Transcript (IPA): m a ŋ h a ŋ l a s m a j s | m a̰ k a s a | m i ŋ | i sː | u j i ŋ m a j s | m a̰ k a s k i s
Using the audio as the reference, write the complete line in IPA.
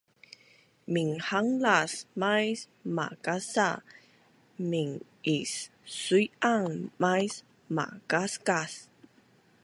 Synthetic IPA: m i ŋ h a ŋ l a s m a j s | m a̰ k a s a | m i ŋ | i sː | u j a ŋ m a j s | m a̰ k a s k a s